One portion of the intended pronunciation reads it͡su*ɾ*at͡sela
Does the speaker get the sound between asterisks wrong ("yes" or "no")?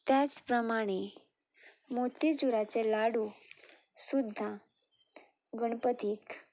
no